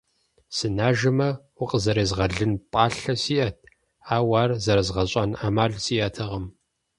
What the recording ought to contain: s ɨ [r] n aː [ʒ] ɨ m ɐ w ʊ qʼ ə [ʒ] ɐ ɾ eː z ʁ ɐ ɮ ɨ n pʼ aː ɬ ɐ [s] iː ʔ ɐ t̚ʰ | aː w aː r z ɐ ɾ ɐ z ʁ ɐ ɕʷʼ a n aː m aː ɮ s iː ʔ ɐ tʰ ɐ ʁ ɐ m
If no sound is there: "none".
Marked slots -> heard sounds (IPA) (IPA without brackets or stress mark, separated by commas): none, ʒ, z, s